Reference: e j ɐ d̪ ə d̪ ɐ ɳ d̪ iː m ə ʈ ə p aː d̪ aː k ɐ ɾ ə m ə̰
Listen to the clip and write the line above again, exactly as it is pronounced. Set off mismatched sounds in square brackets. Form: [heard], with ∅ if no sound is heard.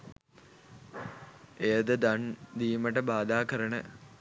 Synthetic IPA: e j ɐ d̪ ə d̪ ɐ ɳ d̪ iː m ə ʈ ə [b] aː d̪ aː k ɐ ɾ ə [ɳ] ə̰